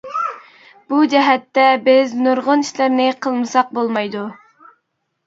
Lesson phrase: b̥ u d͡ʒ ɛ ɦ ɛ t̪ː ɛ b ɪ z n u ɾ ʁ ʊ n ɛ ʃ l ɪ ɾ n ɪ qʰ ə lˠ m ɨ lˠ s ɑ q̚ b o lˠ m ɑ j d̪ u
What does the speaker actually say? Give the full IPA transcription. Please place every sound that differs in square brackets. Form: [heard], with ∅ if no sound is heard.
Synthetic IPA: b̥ u d͡ʒ ɛ ɦ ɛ t̪ː ɛ b ɪ z n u ɾ ʁ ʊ n [i] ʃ l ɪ ɾ n ɪ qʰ ə lˠ m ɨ [∅] s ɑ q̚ b o lˠ m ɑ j d̪ u